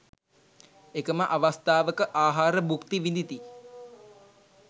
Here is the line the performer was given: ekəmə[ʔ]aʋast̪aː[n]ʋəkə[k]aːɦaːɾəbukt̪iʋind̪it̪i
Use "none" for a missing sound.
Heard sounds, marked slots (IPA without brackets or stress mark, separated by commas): ʔ, none, ʔ